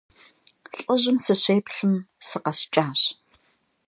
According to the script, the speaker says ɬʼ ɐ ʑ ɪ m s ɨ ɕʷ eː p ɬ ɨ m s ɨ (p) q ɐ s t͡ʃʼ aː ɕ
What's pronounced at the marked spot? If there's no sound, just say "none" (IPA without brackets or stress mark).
none